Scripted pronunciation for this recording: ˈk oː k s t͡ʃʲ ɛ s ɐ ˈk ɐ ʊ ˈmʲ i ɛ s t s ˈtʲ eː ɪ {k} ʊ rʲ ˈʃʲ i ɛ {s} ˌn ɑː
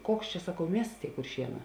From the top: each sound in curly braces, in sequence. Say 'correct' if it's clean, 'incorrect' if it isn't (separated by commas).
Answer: correct, incorrect